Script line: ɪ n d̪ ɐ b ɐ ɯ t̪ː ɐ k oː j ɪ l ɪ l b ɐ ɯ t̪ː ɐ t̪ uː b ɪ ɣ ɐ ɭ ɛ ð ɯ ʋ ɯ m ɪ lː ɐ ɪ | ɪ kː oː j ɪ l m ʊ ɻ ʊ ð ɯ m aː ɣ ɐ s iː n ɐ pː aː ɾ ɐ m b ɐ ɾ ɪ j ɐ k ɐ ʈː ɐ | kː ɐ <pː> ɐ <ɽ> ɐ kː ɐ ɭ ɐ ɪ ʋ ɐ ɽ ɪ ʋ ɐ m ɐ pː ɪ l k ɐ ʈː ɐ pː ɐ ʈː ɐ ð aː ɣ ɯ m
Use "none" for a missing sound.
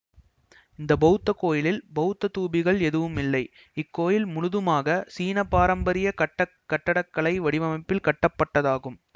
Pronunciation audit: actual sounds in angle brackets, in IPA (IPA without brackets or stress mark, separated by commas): ʈː, ɽ